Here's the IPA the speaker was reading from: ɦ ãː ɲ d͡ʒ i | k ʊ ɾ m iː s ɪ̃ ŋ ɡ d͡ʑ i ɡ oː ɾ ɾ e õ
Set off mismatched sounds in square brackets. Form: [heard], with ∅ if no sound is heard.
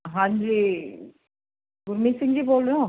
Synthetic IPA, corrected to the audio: ɦ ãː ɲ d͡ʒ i | [ɡ] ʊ ɾ m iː s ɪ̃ ŋ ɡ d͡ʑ i [b] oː [l] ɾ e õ